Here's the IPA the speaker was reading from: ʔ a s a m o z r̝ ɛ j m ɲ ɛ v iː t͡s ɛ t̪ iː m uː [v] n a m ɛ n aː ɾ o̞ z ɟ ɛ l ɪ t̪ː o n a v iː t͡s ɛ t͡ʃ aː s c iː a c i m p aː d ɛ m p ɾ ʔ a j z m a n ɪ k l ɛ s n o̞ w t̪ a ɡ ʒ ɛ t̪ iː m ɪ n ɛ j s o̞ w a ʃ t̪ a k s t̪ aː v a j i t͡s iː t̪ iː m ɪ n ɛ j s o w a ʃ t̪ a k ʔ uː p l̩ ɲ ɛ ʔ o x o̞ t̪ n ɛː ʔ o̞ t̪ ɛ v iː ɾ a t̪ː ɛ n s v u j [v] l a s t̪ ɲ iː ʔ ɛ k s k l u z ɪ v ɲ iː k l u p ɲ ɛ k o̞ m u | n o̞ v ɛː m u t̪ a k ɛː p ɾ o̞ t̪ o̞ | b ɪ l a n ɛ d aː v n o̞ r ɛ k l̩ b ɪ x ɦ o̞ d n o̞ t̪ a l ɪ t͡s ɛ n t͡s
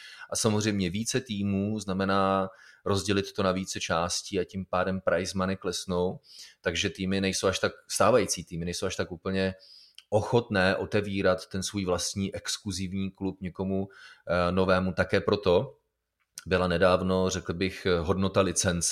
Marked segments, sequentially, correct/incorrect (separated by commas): incorrect, correct